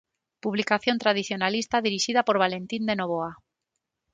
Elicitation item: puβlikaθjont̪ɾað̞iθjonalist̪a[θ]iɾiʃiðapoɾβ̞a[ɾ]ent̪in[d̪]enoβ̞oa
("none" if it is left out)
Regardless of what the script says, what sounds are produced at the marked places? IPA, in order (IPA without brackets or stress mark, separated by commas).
ð, l, d̪